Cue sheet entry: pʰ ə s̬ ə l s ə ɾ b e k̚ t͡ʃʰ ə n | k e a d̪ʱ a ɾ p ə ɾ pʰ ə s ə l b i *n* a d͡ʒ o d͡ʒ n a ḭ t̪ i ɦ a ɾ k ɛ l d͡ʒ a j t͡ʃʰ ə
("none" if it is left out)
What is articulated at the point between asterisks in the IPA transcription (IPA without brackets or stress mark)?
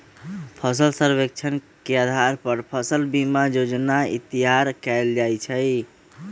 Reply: m